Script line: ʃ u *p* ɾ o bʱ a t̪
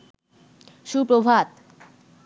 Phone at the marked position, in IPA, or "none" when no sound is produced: p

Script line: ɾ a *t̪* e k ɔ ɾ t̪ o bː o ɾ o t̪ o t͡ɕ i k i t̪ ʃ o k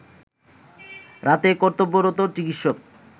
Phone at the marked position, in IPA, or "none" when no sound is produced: t̪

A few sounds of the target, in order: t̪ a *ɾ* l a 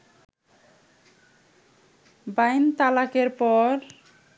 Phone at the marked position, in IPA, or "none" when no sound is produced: none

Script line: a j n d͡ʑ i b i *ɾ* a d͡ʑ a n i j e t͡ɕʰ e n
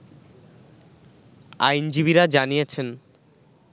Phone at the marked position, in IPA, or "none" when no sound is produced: ɾ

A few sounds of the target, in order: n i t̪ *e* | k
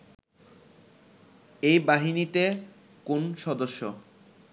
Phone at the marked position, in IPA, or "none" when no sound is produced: e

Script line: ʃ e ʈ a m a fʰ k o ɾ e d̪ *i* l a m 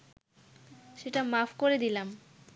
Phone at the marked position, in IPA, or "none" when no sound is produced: i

